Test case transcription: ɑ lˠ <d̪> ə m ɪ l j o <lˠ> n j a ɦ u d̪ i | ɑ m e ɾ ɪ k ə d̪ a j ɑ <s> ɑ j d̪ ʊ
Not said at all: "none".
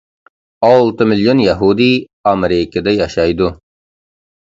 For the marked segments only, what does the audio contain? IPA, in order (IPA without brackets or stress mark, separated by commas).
t̪, none, ʃ